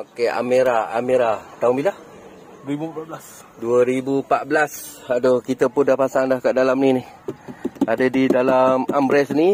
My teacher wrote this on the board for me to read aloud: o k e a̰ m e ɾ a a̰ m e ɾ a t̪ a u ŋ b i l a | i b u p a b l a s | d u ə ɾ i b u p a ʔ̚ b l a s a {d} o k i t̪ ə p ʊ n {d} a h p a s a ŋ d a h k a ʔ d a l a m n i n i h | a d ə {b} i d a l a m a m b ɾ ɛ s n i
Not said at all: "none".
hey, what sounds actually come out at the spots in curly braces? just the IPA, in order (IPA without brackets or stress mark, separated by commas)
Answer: d, d, d